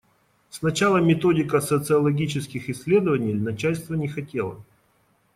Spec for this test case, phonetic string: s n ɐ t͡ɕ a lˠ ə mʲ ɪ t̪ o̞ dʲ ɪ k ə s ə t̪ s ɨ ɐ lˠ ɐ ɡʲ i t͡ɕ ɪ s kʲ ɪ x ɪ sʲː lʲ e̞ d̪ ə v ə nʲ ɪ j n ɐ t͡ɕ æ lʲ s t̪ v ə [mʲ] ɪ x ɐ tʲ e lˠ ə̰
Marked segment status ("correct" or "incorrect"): incorrect